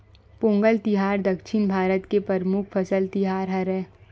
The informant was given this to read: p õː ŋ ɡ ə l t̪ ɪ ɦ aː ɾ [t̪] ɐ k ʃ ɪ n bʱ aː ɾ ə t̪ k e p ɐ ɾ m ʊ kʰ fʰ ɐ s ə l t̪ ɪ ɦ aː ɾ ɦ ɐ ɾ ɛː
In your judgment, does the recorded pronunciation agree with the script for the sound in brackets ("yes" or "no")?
no